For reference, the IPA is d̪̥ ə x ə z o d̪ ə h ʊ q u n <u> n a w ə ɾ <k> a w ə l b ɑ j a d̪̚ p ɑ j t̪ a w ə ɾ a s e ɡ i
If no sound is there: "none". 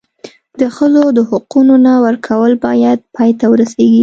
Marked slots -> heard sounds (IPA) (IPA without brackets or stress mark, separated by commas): o, kʰ